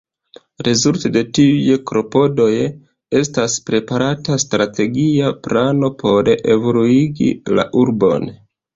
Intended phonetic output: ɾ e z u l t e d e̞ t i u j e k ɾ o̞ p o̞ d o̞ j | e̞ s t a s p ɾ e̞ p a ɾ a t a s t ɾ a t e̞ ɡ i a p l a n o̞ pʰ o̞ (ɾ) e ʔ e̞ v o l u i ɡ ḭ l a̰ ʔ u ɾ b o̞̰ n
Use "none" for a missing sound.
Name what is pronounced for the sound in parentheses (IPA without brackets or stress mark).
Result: ɾ